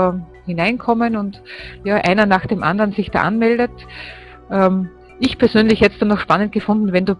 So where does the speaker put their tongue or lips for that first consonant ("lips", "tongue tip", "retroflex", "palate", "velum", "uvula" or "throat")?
throat